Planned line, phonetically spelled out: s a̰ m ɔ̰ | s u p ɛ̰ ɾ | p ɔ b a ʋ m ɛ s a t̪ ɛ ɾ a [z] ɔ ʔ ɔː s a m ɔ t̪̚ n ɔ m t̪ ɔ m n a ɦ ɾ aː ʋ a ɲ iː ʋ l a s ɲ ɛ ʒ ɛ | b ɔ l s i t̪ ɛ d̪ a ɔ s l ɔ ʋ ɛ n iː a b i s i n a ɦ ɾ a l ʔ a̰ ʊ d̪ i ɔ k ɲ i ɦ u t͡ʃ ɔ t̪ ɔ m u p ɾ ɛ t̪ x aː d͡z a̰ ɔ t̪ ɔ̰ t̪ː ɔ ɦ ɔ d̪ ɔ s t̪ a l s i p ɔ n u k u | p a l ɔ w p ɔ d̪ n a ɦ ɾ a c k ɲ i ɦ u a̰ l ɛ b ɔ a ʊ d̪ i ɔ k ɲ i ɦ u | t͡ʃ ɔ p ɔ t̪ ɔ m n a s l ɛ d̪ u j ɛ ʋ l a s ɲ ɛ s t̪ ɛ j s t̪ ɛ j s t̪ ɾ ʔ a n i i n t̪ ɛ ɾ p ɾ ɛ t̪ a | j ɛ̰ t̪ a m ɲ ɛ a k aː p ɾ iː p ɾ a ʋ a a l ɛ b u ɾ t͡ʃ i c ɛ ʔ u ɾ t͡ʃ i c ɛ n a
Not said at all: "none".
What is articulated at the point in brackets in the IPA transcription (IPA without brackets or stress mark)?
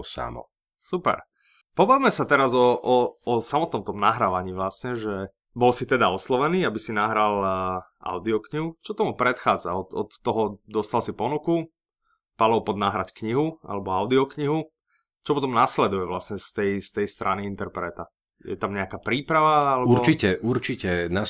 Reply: z